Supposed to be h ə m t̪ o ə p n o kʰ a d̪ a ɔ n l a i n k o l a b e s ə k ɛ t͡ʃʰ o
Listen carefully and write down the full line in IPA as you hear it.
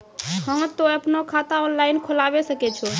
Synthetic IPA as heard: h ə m t̪ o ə p n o kʰ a t̪ a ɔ n l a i n kʰ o l a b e s ə k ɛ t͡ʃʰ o